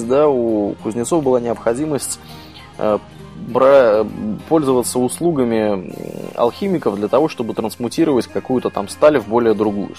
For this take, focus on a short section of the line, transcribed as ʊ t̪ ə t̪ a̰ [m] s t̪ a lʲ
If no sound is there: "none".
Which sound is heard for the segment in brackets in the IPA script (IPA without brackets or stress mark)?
m